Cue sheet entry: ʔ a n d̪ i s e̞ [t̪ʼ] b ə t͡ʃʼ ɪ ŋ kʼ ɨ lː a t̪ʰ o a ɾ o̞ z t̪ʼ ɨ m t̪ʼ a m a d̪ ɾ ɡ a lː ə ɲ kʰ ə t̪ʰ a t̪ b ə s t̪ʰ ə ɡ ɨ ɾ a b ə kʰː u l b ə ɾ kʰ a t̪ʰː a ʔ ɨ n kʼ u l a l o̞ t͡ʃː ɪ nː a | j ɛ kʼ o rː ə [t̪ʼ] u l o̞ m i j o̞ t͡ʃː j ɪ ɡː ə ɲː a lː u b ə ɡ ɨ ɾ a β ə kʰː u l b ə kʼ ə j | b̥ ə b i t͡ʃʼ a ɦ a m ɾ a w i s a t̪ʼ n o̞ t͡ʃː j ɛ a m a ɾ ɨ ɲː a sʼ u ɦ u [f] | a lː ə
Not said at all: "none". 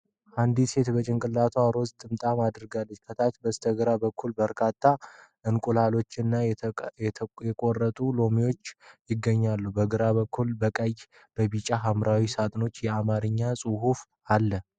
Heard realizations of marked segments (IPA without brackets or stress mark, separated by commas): t̪, t̪ʼ, f